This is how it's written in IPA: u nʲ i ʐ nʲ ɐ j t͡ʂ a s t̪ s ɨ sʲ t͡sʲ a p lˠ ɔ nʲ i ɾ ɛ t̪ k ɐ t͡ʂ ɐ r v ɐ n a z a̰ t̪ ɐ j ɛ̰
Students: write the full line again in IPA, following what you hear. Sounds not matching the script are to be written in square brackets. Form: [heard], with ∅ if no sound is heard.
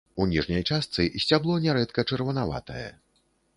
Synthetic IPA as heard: u nʲ i ʐ nʲ ɐ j t͡ʂ a s t̪ s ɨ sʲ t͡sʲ a [b] lˠ ɔ nʲ [ɛ] ɾ ɛ t̪ k ɐ t͡ʂ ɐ r v ɐ n a [v] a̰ t̪ ɐ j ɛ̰